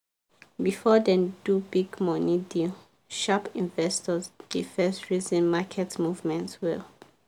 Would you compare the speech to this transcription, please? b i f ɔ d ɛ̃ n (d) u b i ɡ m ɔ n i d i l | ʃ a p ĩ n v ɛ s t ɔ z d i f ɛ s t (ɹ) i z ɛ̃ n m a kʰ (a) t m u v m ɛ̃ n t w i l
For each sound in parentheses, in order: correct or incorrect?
correct, correct, incorrect

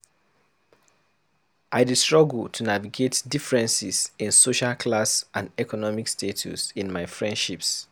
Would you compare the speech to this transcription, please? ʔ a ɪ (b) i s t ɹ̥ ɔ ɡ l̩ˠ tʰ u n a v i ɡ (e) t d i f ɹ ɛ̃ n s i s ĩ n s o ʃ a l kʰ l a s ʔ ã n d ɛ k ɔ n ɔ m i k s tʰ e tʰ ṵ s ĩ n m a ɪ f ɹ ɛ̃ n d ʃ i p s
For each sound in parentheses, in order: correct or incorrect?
incorrect, correct

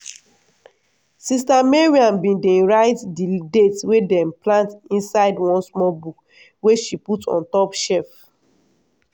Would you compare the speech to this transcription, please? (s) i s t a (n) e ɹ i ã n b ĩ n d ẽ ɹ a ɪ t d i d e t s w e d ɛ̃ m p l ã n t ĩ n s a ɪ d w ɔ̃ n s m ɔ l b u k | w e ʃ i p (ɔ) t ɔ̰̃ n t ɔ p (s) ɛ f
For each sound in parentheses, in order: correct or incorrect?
correct, incorrect, incorrect, incorrect

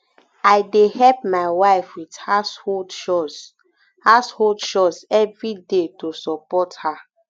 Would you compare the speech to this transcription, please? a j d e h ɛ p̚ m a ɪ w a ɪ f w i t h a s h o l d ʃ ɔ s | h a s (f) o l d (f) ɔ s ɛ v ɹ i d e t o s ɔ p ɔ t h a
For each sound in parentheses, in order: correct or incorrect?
incorrect, incorrect

